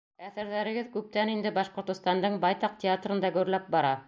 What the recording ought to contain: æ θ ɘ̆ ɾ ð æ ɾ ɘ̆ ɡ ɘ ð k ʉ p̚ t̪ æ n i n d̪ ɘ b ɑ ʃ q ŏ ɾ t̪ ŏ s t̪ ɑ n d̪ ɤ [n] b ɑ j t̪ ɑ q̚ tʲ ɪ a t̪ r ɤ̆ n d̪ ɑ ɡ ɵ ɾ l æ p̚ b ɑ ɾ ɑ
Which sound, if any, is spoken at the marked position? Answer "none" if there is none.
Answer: ɴ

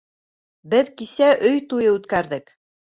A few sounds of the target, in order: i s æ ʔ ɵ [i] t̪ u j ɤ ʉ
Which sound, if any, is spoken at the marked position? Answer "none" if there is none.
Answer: j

